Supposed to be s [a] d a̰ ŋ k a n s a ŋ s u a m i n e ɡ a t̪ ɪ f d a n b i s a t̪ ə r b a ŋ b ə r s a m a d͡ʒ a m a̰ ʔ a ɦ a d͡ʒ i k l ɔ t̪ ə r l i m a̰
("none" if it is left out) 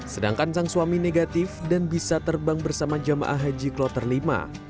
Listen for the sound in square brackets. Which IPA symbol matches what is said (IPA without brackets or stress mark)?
ə